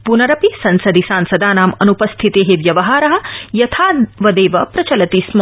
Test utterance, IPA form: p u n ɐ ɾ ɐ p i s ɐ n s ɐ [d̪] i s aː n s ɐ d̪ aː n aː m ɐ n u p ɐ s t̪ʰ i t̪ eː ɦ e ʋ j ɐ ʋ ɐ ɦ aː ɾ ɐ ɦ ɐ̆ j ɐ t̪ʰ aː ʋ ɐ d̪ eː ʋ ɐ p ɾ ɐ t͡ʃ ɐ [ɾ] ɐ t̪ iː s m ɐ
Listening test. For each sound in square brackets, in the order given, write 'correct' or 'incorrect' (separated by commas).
correct, incorrect